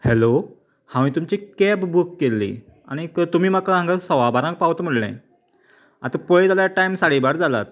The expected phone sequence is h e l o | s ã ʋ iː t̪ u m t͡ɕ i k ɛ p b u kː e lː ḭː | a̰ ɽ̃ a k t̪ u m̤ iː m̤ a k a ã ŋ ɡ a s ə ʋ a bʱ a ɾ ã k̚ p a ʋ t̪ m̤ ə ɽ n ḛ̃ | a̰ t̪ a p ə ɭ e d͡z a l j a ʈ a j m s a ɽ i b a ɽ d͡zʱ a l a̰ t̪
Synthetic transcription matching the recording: h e l o | h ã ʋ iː t̪ u m t͡ɕ i k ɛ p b u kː e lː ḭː | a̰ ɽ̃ i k t̪ u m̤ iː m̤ a k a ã ŋ ɡ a s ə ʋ a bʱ a ɾ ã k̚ p a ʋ t̪ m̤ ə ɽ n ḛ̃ | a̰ t̪ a p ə ɭ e d͡z a l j a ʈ a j m s a ɽ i b a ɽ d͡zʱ a l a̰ t̪

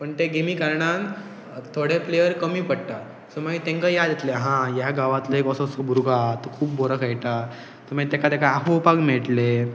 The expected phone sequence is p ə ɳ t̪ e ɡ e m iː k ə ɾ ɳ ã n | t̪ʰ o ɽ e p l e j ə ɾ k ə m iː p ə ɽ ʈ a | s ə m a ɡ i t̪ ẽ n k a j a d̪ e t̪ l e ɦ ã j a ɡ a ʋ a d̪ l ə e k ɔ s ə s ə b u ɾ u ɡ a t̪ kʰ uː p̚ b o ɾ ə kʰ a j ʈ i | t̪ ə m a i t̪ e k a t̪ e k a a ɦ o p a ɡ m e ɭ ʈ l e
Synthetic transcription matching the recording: p ə ɳ t̪ e ɡ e m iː k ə ɾ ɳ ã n | t̪ʰ o ɽ e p l e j ə ɾ k ə m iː p ə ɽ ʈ a | s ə m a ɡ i t̪ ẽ ŋ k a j a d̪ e t̪ l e ɦ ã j a ɡ a ʋ a t̪ l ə e k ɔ s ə s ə b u ɾ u ɡ a t̪ kʰ uː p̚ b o ɾ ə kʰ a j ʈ a | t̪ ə m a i t̪ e k a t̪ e k a a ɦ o p a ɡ m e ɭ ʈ l e

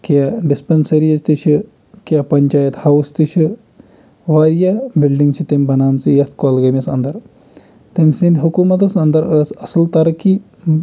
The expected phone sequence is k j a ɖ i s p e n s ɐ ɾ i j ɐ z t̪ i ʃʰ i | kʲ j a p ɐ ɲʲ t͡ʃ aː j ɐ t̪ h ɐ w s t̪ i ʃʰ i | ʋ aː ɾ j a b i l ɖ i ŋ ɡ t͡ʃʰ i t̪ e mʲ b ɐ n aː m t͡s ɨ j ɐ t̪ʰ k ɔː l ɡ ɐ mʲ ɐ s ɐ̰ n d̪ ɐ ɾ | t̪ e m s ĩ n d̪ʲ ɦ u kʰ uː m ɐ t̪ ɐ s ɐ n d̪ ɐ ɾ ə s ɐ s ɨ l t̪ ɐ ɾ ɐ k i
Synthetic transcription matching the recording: k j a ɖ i s p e n s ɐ ɾ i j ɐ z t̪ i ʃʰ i | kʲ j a p ɐ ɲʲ t͡ʃ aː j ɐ t̪ h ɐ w s t̪ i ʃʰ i | ʋ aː ɾ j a b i l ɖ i ŋ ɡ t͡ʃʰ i t̪ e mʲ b ɐ n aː m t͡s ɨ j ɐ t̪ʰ k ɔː l ɡ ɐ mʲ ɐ s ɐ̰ n d̪ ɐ ɾ | t̪ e m s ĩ n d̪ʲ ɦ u k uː m ɐ t̪ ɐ s ɐ n d̪ ɐ ɾ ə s ɐ s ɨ l t̪ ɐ ɾ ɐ k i

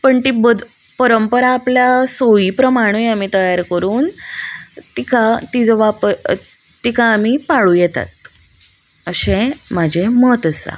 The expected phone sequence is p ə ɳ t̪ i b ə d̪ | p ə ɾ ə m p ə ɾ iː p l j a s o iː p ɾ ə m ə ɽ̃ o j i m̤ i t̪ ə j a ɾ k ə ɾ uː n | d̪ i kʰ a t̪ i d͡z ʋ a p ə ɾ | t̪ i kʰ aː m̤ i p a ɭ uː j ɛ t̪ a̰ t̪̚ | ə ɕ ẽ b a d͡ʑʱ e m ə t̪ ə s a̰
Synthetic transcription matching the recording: p ə ɳ t̪ i b ə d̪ | p ə ɾ ə m p ə ɾ aː p l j a s o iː p ɾ ə m a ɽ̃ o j a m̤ i t̪ ə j a ɾ k ə ɾ uː n | t̪ i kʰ a t̪ i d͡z ʋ a p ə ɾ | t̪ i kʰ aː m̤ i p a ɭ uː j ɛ t̪ a̰ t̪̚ | ə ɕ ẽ m a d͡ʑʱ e m ə t̪ ə s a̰

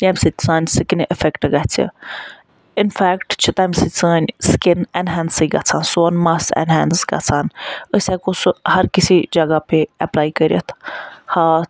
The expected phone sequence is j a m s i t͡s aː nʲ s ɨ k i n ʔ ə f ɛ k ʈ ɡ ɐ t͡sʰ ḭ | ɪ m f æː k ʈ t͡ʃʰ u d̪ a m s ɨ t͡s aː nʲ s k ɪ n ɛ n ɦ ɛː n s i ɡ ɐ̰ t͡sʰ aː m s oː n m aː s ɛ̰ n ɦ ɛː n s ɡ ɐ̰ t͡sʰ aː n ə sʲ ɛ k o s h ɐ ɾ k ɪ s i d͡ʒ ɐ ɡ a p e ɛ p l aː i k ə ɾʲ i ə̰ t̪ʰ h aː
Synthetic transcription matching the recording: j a m s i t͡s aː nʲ s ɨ k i n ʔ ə f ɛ k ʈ ɡ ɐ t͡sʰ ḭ | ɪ n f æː k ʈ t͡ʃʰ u t̪ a m s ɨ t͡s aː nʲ s k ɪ n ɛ n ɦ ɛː n s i ɡ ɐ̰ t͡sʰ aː n s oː n m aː s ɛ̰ n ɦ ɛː n s ɡ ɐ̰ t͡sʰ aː n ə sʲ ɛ k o s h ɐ ɾ k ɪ s i d͡ʒ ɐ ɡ a p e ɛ p l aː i k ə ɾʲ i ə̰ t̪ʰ h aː

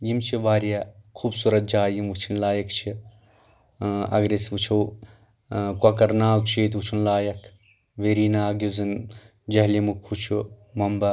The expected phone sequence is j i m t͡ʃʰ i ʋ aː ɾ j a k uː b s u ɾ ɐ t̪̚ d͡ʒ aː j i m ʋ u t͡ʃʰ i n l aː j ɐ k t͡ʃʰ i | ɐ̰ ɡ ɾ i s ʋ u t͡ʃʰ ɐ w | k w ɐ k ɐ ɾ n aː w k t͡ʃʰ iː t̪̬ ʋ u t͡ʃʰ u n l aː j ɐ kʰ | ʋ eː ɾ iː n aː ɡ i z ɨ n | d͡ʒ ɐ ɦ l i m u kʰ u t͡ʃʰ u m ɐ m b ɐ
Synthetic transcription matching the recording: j i m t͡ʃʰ i ʋ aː ɾ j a kʰ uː b s u ɾ ɐ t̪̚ d͡ʒ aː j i m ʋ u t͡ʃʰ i n l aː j ɐ k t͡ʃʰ i | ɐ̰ ɡ ɾ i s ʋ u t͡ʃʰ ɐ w | k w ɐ k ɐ ɾ n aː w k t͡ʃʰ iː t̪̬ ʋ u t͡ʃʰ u n l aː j ɐ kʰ | ʋ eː ɾ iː n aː ɡ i z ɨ n | d͡ʒ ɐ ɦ l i m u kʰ u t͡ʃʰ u m ɐ m b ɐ

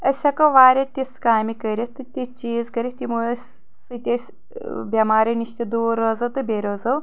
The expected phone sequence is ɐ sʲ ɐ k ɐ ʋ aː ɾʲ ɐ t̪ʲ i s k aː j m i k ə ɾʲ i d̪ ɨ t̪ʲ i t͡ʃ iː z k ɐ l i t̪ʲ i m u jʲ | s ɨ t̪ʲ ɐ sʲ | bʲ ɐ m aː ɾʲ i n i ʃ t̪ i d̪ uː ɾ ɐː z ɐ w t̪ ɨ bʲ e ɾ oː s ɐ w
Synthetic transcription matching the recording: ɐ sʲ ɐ k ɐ ʋ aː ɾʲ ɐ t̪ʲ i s k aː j m i k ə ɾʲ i t̪ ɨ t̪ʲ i t͡ʃ iː z k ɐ ɾ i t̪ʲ i m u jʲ | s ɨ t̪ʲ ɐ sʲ | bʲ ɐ m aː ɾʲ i n i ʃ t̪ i d̪ uː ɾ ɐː z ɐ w t̪ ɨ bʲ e ɾ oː z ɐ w

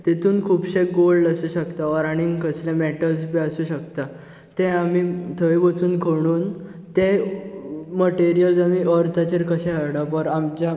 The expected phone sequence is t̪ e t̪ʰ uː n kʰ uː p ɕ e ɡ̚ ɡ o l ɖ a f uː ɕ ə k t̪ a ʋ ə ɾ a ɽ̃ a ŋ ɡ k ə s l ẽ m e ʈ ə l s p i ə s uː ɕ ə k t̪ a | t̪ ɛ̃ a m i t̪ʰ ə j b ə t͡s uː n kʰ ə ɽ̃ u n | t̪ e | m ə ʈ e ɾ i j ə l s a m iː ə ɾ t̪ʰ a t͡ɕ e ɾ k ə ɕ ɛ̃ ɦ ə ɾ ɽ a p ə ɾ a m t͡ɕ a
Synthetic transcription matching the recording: t̪ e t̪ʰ uː n kʰ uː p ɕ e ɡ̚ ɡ o l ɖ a s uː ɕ ə k t̪ a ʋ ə ɾ a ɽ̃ i ŋ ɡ k ə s l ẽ m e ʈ ə l s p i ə s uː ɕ ə k t̪ a | t̪ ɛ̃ a m i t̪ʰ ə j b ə t͡s uː n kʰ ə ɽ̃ uː n | t̪ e | m ə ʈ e ɾ i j ə l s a m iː ə ɾ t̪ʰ a t͡ɕ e ɾ k ə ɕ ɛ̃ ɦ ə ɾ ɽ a p ə ɾ a m t͡ɕ a

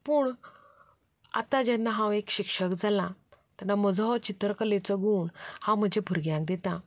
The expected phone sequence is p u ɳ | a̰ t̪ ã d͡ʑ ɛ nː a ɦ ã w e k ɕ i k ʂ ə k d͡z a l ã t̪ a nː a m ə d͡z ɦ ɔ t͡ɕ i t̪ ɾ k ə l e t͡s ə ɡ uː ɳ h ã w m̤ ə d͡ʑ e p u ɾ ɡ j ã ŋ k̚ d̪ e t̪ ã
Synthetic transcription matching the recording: p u ɳ | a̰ t̪ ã d͡ʑ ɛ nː a ɦ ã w e k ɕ i k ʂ ə k d͡z a l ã t̪ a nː a m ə d͡z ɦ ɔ t͡ɕ i t̪ ɾ k ə l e t͡s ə ɡ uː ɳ h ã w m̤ ə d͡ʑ e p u ɾ ɡ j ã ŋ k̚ d̪ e t̪ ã

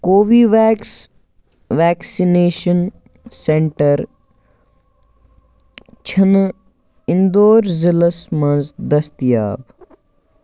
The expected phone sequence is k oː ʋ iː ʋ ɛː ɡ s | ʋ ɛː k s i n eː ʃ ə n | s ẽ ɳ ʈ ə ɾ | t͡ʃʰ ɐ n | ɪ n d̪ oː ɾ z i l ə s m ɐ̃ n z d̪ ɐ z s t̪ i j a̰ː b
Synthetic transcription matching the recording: k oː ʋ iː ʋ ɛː k s | ʋ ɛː k s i n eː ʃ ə n | s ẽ ɳ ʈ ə ɾ | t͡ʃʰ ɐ n | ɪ n d̪ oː ɾ z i l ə s m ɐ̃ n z d̪ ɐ s t̪ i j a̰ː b

